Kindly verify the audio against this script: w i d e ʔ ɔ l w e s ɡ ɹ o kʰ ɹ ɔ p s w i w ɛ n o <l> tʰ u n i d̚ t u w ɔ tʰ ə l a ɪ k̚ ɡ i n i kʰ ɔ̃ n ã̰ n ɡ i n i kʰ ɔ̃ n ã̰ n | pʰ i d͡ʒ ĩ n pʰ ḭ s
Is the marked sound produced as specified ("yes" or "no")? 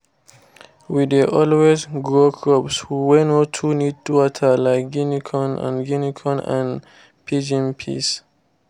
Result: no